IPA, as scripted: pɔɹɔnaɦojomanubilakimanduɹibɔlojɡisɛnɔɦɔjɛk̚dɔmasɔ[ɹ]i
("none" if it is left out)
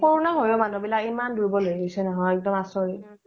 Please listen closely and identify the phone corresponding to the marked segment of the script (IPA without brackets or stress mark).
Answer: ɹ